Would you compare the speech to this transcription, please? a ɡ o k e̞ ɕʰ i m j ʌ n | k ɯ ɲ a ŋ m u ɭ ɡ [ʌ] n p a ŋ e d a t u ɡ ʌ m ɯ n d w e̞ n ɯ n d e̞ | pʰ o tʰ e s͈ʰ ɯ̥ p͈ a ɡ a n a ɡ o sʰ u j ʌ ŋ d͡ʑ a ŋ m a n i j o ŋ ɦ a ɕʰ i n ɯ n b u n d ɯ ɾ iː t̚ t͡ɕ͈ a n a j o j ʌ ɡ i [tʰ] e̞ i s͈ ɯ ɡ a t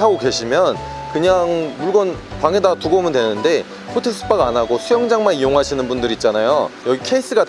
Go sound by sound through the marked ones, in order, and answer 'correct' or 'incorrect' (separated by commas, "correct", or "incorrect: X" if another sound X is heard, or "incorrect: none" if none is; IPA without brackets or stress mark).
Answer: correct, incorrect: kʰ